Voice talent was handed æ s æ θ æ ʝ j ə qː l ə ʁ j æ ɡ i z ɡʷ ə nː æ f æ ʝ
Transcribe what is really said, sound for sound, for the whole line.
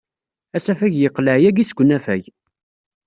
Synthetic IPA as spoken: æ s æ f æ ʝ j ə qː l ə ʕ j æ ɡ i s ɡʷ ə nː æ f æ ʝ